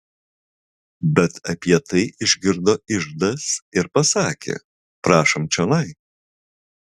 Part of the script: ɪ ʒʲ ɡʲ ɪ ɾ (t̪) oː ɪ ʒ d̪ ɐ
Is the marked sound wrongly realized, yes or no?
yes